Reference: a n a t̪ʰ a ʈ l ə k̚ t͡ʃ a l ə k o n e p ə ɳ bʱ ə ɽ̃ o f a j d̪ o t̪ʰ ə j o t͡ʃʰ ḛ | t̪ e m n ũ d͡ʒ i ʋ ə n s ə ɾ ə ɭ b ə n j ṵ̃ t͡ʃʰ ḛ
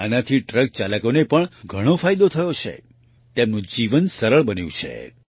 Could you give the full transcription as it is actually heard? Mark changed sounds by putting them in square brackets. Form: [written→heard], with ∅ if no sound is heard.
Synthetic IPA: a n a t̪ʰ [a→i] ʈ [l→ɾ] ə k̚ t͡ʃ a l ə k o n e p ə ɳ [bʱ→ɡʱ] ə ɽ̃ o f a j d̪ o t̪ʰ ə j o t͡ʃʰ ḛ | t̪ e m n ũ d͡ʒ i ʋ ə n s ə ɾ ə ɭ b ə n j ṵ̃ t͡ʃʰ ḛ